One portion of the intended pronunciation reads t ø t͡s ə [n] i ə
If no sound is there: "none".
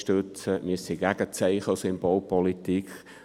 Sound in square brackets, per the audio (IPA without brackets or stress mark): m